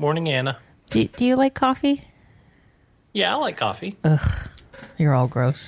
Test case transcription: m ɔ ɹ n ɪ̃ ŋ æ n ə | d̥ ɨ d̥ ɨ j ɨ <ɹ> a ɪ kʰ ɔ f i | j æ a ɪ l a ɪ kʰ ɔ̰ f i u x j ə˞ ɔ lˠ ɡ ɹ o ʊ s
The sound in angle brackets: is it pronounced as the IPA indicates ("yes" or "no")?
no